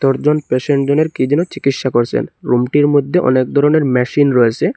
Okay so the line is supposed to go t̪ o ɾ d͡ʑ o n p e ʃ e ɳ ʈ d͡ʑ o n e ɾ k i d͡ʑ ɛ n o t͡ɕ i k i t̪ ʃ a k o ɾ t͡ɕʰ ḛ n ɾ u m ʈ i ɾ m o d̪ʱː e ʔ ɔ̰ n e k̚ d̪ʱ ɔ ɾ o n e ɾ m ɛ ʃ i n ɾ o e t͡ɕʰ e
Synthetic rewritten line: t̪ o ɾ d͡ʑ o n p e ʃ e ɳ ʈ d͡ʑ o n e ɾ k i d͡ʑ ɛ n o t͡ɕ i k i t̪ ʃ a k o ɾ t͡ɕʰ ḛ n ɾ u m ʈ i ɾ m o d̪ʱː e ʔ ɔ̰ n e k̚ d̪ʱ ɔ ɾ o n e ɾ m ɛ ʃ i n ɾ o e t͡ɕʰ e